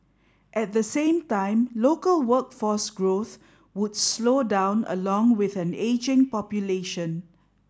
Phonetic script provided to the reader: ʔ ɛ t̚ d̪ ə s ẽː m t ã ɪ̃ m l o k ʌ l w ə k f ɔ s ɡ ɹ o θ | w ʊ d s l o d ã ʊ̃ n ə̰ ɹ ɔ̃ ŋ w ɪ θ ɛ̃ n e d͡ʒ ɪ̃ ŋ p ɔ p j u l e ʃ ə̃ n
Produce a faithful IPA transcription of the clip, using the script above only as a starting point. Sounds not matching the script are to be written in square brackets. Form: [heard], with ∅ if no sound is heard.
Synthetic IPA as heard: ʔ ɛ t̚ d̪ ə s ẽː m t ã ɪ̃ m l o k [ə] l w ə k f ɔ s ɡ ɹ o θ | w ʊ d s l o d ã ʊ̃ n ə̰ [l] ɔ̃ ŋ w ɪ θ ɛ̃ n e d͡ʒ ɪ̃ ŋ p ɔ p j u l e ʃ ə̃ n